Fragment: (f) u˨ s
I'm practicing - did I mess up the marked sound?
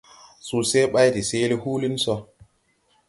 yes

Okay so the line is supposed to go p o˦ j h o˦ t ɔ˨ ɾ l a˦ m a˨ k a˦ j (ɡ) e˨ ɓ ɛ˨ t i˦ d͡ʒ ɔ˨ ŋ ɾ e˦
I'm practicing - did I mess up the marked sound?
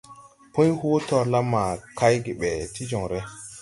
no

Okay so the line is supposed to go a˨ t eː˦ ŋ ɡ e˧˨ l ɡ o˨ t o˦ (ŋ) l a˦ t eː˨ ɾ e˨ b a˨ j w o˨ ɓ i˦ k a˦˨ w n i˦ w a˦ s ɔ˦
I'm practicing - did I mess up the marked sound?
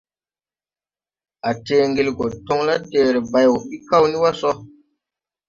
no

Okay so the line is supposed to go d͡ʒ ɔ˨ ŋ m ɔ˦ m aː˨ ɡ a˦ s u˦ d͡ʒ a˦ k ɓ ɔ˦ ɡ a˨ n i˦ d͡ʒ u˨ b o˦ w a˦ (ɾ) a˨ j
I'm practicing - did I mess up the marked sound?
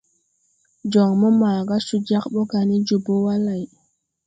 yes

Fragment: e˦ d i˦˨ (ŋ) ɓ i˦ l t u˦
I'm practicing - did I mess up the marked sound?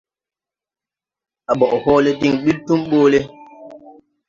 no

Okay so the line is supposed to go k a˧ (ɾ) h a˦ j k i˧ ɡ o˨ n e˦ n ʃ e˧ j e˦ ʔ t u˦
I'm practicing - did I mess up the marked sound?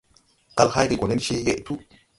yes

